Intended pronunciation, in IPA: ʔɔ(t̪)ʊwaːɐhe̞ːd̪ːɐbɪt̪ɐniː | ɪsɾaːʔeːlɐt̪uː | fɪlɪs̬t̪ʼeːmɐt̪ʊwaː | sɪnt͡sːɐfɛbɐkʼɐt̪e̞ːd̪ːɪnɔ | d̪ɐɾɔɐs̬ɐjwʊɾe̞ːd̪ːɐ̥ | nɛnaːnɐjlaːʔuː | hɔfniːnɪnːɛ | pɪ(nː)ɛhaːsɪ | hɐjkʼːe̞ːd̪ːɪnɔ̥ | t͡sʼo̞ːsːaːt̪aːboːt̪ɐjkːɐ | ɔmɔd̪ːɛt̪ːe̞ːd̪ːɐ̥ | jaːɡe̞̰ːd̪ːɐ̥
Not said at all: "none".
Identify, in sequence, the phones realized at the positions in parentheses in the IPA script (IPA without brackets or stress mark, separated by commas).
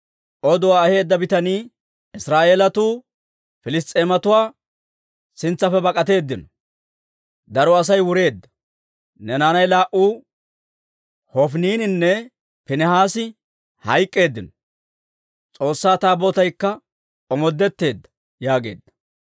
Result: d̪, n